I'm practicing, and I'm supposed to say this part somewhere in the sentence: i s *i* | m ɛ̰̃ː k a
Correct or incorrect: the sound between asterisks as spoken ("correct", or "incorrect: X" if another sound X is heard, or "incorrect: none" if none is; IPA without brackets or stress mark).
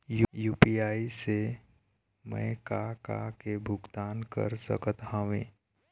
incorrect: e